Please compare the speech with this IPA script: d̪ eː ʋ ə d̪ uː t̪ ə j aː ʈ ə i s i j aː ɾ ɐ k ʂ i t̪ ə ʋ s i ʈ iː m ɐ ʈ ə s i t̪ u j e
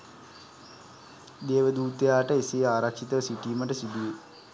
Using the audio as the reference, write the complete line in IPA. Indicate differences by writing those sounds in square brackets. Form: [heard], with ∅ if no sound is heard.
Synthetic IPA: d̪ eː ʋ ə d̪ uː t̪ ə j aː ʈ ə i s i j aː ɾ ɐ k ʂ i t̪ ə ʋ s i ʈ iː m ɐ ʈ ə s i [d̪] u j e